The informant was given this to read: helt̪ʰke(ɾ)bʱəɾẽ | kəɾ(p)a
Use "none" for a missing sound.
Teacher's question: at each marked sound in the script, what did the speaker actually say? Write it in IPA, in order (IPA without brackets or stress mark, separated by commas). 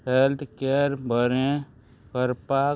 ɾ, p